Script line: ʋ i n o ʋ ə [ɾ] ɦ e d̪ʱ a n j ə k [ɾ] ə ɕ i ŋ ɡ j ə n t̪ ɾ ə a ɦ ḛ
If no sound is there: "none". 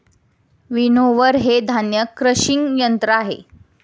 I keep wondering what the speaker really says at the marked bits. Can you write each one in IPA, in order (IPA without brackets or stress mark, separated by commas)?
ɾ, ɾ